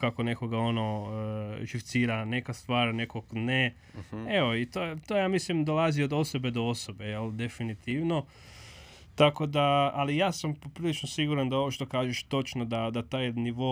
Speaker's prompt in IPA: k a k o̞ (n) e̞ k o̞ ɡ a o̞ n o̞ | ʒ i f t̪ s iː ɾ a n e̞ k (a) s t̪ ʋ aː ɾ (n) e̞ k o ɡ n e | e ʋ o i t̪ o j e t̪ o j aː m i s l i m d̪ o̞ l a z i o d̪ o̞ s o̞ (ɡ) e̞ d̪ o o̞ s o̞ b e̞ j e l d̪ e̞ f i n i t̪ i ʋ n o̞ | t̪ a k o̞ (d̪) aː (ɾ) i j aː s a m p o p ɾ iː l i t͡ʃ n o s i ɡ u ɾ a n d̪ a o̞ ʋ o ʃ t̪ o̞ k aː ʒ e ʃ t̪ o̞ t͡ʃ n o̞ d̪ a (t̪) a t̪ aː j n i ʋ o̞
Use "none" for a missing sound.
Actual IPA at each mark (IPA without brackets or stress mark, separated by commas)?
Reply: n, a, n, b, d̪, l, d̪